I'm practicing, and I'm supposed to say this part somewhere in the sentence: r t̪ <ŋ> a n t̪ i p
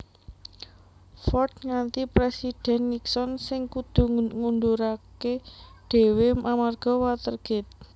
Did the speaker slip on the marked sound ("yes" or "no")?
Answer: no